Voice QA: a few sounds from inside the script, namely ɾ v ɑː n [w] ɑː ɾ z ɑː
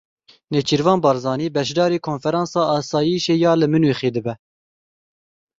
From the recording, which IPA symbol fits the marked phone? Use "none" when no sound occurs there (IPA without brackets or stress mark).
b